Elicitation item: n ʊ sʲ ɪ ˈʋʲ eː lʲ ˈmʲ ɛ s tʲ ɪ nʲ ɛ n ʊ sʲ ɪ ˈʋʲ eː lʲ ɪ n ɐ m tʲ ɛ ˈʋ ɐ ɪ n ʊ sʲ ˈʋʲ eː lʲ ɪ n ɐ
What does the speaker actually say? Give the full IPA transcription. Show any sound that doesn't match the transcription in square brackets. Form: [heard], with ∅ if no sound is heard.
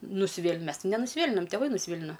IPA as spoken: n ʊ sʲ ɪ ˈʋʲ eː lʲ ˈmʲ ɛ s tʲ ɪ nʲ ɛ n ʊ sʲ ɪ ˈʋʲ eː lʲ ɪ n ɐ m tʲ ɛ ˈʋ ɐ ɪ n ʊ sʲ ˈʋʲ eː lʲ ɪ n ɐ

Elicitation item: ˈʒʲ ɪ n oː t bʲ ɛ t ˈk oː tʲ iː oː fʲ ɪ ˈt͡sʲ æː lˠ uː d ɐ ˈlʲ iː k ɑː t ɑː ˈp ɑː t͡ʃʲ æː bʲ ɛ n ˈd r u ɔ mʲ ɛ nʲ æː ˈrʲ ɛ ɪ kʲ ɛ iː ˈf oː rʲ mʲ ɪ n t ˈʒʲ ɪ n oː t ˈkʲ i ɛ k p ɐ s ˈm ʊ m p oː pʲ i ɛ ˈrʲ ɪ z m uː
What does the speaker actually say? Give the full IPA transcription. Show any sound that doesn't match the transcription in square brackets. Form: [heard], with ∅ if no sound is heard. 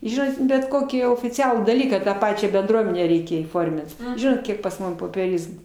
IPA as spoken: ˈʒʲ ɪ n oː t bʲ ɛ t ˈk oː [kʲ] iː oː fʲ ɪ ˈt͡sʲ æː lˠ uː d ɐ ˈlʲ iː k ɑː t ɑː ˈp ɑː t͡ʃʲ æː bʲ ɛ n ˈd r u ɔ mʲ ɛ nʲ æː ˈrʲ ɛ ɪ kʲ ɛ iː ˈf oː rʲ mʲ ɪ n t ˈʒʲ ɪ n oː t ˈkʲ i ɛ k p ɐ s ˈm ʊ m p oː pʲ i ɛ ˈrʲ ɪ z m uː

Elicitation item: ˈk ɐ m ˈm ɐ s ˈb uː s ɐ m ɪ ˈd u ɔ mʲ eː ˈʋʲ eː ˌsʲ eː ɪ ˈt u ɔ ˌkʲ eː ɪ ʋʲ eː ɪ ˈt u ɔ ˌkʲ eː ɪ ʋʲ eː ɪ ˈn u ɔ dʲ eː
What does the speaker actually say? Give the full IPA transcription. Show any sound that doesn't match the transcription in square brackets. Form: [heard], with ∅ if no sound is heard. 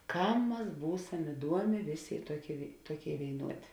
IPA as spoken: ˈk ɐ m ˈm ɐ s ˈb uː s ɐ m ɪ ˈd u ɔ mʲ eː ˈʋʲ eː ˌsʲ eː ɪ ˈt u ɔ ˌkʲ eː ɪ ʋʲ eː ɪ ˈt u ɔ ˌkʲ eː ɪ ʋʲ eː ɪ ˈn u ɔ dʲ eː

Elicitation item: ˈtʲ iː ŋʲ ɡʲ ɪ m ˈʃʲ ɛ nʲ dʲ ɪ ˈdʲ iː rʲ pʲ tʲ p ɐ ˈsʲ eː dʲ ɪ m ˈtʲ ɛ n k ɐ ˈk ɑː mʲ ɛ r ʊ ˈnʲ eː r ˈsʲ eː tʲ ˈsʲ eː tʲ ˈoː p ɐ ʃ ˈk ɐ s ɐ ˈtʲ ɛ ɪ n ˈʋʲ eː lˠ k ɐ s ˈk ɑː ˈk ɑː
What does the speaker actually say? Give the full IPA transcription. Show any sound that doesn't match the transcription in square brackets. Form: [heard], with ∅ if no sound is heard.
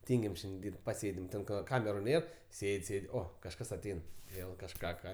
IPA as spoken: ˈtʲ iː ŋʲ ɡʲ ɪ m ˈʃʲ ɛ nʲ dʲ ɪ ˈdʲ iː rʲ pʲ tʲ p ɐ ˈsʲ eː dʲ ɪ m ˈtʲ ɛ n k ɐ ˈk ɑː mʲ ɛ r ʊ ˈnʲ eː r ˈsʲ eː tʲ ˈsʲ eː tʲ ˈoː [k] ɐ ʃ ˈk ɐ s ɐ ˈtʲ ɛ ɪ n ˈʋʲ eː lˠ k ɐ [ʃ] ˈk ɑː ˈk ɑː

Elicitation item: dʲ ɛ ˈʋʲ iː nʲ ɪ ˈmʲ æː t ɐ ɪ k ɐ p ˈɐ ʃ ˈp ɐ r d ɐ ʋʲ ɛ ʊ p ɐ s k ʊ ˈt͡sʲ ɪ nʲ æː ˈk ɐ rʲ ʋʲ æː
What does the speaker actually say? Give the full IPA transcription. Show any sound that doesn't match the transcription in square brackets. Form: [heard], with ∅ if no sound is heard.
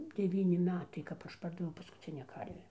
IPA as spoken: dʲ ɛ ˈʋʲ iː nʲ ɪ ˈmʲ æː t ɐ ɪ k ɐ p ˈɐ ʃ ˈp ɐ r d ɐ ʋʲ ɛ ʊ p ɐ s k ʊ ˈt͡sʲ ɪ nʲ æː ˈk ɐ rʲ ʋʲ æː

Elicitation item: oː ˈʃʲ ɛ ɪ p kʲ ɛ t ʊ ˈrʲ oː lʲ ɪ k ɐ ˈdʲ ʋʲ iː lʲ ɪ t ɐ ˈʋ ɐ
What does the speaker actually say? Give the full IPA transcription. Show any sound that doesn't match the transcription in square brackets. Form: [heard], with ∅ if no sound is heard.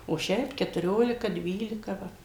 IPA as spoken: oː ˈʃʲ ɛ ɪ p kʲ ɛ t ʊ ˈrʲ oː lʲ ɪ k ɐ ˈdʲ ʋʲ iː lʲ ɪ [k] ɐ ˈʋ ɐ

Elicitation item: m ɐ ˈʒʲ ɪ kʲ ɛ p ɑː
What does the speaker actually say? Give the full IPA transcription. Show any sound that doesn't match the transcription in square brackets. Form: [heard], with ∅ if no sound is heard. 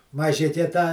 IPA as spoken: m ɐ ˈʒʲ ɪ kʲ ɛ [t] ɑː

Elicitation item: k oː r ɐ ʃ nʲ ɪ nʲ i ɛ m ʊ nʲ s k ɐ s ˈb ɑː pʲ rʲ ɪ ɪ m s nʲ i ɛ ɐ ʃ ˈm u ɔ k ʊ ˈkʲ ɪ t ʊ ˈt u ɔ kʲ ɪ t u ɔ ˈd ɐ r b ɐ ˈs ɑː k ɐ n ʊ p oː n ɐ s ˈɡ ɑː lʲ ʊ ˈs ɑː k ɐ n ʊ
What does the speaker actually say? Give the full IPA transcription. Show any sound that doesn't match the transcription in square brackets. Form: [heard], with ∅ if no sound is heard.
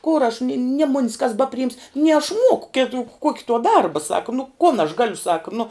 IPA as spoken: k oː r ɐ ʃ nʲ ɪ nʲ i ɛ m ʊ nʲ s k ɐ s ˈb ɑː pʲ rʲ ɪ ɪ m s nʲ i ɛ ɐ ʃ ˈm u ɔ k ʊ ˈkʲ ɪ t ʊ [ˈk] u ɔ kʲ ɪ t u ɔ ˈd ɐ r b ɐ ˈs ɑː k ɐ n ʊ [k] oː n ɐ [ʃ] ˈɡ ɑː lʲ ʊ ˈs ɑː k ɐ n ʊ

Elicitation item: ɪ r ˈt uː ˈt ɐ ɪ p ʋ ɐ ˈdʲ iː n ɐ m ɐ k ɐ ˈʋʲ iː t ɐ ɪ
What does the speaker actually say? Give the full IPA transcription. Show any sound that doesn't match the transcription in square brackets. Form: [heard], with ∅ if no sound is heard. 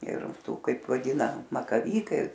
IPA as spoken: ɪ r ˈt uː [ˈk] ɐ ɪ p ʋ ɐ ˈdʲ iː n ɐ m ɐ k ɐ ˈʋʲ iː [k] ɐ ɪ

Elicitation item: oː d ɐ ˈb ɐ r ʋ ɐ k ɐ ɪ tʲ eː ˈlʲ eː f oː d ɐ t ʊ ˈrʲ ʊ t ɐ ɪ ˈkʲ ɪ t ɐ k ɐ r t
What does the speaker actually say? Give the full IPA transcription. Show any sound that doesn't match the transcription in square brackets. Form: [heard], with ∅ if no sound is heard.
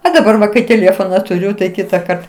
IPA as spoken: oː d ɐ ˈb ɐ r ʋ ɐ k ɐ ɪ tʲ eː ˈlʲ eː f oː [n] ɐ t ʊ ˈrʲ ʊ t ɐ ɪ ˈkʲ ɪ t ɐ k ɐ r t

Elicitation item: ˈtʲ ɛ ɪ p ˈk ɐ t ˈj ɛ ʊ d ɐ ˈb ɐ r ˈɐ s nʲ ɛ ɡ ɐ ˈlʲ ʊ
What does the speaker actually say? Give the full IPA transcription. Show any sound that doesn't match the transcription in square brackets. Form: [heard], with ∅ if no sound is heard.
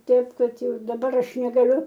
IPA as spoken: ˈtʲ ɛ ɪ p ˈk ɐ t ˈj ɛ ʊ d ɐ ˈb ɐ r ˈɐ [ʃ] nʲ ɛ ɡ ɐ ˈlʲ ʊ

